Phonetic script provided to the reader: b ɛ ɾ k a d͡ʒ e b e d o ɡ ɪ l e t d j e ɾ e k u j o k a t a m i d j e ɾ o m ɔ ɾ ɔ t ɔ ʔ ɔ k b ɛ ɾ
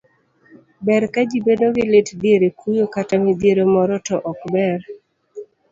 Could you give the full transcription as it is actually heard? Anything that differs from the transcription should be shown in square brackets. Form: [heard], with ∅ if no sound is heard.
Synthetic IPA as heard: b ɛ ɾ k a d͡ʒ [i] b e d o ɡ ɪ l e t d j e ɾ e k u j o k a t a m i d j e ɾ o m ɔ ɾ ɔ t ɔ ʔ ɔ k b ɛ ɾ